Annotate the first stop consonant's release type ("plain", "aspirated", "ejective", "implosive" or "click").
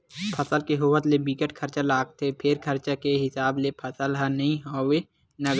aspirated